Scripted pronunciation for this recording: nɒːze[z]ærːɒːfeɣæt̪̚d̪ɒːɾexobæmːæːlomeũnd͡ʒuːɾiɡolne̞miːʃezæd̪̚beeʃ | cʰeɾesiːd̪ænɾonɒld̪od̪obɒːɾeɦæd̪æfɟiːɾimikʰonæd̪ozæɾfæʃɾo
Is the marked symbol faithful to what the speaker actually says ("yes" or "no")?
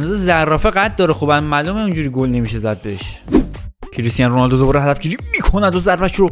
yes